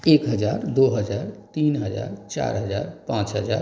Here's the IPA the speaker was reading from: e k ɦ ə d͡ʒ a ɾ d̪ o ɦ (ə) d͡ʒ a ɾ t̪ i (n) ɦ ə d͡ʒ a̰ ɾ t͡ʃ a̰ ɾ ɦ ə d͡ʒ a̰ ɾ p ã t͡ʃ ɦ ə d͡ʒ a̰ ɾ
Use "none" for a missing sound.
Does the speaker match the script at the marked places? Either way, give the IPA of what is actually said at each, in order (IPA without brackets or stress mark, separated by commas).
ə, n